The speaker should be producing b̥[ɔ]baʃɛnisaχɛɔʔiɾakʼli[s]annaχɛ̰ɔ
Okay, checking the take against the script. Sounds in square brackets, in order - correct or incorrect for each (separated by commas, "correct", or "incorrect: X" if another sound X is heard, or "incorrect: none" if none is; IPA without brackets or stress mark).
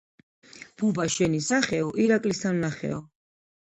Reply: incorrect: u, correct